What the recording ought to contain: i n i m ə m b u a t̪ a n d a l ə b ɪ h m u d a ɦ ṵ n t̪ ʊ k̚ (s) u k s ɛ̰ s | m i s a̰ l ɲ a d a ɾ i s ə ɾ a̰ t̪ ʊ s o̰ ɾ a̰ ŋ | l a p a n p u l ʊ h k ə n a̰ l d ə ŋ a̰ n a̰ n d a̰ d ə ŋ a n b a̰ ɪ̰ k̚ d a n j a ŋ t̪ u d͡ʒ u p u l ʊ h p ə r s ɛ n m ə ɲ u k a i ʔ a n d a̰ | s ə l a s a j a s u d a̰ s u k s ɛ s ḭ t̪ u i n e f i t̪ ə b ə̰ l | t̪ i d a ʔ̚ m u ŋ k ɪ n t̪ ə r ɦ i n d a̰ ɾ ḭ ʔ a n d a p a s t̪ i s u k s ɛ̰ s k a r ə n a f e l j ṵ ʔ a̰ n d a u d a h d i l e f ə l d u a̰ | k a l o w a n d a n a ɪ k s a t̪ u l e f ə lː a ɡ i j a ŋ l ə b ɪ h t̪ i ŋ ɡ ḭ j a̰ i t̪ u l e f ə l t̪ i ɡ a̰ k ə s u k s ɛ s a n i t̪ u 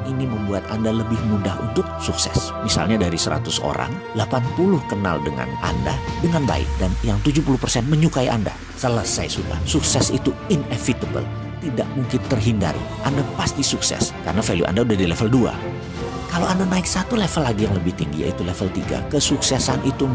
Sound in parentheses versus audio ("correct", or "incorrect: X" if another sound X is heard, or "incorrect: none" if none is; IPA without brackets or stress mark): correct